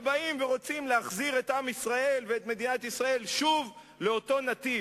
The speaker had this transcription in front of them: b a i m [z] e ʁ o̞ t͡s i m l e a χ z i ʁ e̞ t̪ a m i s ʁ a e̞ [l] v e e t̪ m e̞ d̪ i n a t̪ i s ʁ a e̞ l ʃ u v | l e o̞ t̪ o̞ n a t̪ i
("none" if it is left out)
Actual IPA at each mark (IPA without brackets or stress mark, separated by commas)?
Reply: v, l